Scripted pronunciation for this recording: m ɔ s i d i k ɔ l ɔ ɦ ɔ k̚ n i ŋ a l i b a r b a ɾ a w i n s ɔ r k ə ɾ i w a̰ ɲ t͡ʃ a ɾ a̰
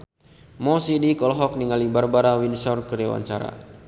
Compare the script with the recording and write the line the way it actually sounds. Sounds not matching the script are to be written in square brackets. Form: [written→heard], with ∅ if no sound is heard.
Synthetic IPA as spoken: m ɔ s i d i k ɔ l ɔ ɦ ɔ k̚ n i ŋ a l i b a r b a ɾ a w i n s ɔ r k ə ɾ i w a̰ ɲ t͡ʃ a ɾ a̰

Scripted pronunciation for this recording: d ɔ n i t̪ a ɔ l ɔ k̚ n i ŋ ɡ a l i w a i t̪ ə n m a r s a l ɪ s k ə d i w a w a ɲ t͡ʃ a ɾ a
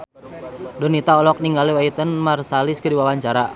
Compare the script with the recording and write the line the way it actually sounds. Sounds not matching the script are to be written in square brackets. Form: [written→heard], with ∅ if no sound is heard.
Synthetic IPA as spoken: d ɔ n i t̪ a ɔ l ɔ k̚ n i ŋ ɡ a l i w a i t̪ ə n m a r s a l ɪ s k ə d i w a w a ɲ t͡ʃ a ɾ a

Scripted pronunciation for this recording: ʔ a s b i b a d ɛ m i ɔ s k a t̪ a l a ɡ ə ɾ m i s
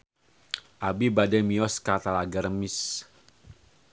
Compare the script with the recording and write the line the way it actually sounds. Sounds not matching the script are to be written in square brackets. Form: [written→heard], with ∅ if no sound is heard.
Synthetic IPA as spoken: ʔ a [s→∅] b i b a d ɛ m i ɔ s k a t̪ a l a ɡ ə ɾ m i s

